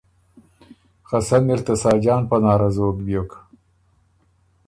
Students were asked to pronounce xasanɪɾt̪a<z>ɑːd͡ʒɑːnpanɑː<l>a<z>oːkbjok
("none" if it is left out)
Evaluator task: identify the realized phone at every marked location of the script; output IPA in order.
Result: s, ɾ, z

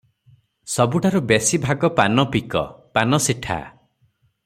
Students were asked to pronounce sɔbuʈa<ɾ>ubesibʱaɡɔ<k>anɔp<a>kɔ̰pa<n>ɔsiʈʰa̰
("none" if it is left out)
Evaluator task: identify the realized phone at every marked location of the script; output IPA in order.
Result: ɾ, p, i, n

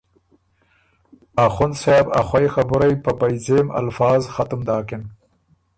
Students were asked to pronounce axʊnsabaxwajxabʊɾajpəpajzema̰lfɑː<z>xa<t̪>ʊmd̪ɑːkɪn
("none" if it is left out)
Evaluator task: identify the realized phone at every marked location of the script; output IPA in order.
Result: z, t̪

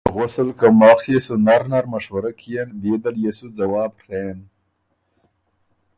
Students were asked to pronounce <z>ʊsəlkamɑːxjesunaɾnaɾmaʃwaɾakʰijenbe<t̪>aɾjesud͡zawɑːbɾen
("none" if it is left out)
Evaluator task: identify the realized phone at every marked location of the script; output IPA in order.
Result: ɣ, d̪

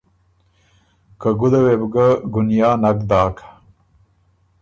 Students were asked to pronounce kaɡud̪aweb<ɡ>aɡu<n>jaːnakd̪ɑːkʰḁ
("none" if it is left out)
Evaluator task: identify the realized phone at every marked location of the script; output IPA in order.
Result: ɡ, n

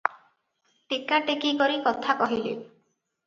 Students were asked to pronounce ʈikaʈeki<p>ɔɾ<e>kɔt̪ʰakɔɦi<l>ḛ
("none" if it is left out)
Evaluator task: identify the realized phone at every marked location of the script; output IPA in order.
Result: k, i, l

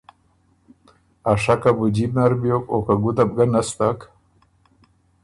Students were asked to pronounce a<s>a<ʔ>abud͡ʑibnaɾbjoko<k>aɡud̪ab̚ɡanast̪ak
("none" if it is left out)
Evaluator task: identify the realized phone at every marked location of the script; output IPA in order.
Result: ʂ, k, k

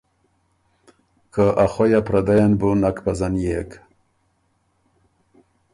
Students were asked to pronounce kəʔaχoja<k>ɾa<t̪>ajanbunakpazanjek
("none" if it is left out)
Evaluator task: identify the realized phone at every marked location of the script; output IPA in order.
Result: p, d̪

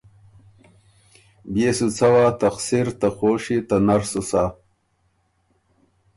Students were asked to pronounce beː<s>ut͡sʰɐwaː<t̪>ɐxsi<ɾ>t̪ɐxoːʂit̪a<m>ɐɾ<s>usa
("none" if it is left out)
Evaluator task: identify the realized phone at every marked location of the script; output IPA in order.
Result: s, t̪, ɾ, n, s

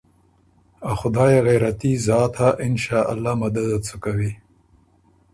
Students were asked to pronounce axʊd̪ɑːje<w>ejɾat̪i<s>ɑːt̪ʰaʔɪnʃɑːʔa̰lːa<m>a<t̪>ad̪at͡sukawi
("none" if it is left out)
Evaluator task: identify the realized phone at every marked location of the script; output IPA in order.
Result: ɣ, z, m, d̪

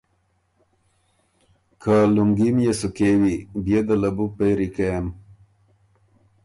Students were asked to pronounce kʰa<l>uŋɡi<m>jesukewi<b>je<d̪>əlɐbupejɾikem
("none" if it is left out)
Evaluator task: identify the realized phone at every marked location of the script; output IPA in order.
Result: l, m, b, d̪

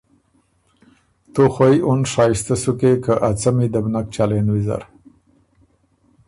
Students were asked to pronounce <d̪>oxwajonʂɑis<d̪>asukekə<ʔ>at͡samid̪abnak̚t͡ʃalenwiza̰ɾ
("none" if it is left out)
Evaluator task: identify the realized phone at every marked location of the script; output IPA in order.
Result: t̪, t̪, ʔ

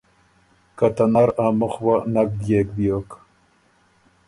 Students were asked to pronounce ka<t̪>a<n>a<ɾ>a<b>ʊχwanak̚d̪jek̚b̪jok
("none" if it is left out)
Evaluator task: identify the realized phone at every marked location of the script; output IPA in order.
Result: t̪, n, ɾ, m

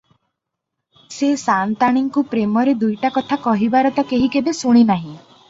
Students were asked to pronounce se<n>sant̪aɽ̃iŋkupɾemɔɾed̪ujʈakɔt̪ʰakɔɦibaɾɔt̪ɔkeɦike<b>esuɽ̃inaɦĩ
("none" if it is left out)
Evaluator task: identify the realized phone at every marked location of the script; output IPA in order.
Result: none, b

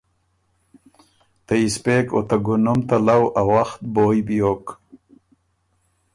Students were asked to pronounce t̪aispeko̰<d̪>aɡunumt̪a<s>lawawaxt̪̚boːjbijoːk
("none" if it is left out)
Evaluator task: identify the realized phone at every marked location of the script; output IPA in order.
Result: t̪, none

